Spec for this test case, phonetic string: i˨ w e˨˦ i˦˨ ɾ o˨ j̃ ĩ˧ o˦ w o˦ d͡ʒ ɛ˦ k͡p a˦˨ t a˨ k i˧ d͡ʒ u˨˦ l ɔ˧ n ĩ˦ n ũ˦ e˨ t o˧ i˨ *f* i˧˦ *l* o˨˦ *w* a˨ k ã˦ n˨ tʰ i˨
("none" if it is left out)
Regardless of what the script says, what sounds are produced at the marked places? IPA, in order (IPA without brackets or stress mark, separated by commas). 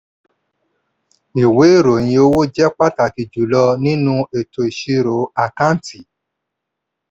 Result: ʃ, ɾ, none